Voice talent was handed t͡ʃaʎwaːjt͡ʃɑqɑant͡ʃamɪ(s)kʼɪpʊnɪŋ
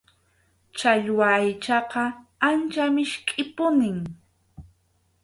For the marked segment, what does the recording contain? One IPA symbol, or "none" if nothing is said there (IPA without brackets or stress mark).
ʃ